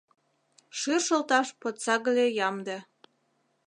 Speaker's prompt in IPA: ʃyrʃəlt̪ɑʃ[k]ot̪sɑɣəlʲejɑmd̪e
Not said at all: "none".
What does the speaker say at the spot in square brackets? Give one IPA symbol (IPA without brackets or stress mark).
p